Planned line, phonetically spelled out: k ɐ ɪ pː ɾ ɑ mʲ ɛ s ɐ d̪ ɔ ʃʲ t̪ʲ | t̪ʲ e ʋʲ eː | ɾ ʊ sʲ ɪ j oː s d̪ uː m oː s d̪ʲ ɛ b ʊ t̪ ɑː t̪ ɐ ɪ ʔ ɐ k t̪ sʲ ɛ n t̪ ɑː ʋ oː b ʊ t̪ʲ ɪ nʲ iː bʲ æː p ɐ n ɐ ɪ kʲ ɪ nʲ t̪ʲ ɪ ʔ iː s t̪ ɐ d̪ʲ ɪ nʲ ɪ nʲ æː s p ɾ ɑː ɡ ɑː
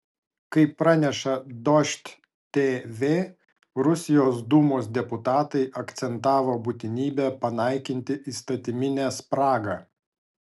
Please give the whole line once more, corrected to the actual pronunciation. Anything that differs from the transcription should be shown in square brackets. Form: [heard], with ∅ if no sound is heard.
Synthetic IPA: k ɐ ɪ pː ɾ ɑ [nʲ] ɛ [ʃ] ɐ d̪ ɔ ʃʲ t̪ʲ | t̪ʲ e ʋʲ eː | ɾ ʊ sʲ ɪ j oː s d̪ uː m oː s d̪ʲ ɛ [p] ʊ t̪ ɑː t̪ ɐ ɪ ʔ ɐ k t̪ sʲ ɛ n t̪ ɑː ʋ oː b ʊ t̪ʲ ɪ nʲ iː bʲ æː p ɐ n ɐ ɪ kʲ ɪ nʲ t̪ʲ ɪ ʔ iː s t̪ ɐ [t̪ʲ] ɪ [mʲ] ɪ nʲ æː s p ɾ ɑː ɡ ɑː